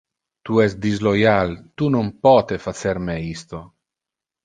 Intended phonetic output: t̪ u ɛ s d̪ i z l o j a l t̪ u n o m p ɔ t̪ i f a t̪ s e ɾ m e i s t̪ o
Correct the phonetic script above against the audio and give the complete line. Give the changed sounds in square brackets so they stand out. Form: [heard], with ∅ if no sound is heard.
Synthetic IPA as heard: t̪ u ɛ s d̪ i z l o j a l t̪ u n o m p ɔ t̪ [e] f a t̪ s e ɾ m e i s t̪ o